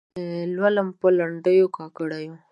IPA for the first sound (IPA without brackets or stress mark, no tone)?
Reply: l